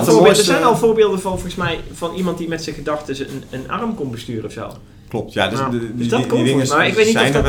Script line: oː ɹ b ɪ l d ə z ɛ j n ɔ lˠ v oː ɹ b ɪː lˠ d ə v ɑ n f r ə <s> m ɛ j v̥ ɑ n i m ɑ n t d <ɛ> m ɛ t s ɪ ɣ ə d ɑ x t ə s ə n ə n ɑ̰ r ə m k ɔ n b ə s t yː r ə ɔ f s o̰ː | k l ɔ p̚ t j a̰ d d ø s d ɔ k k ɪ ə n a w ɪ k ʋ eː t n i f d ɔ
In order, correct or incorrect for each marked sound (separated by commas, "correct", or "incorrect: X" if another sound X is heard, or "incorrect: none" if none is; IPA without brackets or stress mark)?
correct, incorrect: i